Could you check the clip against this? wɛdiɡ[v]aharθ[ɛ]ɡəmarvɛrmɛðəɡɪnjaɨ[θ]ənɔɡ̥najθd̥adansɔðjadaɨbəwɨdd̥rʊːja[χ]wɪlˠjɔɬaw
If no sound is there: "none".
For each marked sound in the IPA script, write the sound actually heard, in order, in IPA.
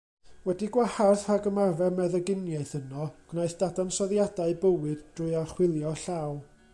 w, a, θ, χ

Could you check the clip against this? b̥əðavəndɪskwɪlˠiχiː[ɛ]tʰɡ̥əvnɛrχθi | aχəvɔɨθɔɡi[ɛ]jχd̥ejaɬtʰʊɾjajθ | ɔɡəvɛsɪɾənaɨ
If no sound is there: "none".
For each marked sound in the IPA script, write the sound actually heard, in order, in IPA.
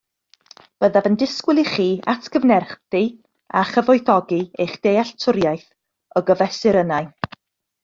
a, e

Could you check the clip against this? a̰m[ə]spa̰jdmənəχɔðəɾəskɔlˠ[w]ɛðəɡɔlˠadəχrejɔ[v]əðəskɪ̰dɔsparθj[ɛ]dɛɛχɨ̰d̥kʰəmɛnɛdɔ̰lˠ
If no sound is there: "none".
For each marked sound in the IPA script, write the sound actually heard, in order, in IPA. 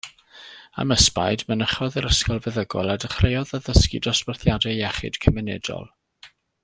ə, v, ð, a

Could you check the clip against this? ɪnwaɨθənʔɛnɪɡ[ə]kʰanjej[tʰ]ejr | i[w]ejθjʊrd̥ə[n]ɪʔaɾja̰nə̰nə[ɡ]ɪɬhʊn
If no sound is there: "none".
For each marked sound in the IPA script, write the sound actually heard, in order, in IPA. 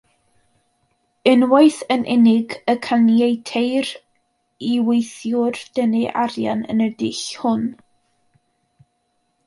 ə, tʰ, w, n, d

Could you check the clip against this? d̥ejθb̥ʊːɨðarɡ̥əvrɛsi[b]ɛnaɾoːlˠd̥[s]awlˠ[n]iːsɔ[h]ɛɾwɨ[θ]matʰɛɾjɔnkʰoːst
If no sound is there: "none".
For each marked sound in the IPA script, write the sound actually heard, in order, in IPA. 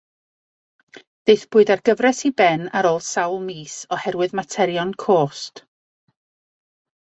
b, s, m, h, ð

